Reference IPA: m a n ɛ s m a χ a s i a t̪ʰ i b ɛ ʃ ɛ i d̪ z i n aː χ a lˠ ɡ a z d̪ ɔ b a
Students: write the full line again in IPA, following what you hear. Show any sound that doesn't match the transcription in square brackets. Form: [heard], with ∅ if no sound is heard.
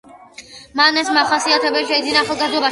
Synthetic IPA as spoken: m a n ɛ s m a χ a s i a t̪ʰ [ɛ] b ɛ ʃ ɛ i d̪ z i n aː χ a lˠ ɡ a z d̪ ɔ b a